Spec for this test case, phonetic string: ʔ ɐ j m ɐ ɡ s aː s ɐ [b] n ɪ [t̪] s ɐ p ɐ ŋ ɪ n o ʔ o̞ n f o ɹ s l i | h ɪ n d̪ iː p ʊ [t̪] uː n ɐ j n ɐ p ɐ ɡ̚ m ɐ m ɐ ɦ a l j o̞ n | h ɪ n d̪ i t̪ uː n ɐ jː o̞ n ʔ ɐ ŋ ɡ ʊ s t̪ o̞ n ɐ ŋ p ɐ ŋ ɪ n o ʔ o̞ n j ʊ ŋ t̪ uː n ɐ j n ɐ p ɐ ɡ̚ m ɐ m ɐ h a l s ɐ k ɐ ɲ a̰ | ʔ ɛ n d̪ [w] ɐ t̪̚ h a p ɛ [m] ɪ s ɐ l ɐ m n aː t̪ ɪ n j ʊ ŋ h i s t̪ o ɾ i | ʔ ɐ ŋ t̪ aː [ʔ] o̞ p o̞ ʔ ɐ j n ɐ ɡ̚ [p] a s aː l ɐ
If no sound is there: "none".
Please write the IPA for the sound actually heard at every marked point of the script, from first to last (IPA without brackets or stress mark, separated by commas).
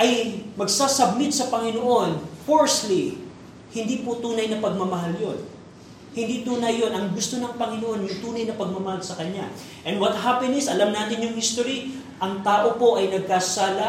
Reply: b, t̪, t̪, w, n, ʔ, k